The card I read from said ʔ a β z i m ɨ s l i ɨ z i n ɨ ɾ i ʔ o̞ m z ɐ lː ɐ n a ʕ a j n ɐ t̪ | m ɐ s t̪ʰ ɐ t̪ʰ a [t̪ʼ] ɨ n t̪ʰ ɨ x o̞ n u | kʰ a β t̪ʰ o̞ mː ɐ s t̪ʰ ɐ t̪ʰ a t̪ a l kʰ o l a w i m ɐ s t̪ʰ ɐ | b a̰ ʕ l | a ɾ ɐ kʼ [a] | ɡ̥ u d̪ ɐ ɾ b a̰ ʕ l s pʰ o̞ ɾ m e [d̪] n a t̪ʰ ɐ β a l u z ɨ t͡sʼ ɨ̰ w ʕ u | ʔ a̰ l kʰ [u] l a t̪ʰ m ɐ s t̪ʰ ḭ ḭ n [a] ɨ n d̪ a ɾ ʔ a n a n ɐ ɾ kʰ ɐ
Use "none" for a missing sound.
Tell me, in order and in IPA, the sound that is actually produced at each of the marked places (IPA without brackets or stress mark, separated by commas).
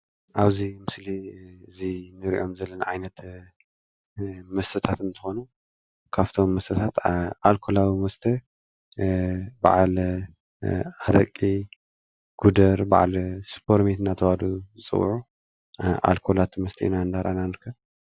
t̪, i, t̪, o, a